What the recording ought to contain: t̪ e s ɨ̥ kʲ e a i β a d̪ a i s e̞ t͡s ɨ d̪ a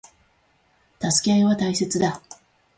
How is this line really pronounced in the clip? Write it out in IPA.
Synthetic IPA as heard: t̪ a s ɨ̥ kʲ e a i β a t̪ a i s e̞ t͡s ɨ d̪ a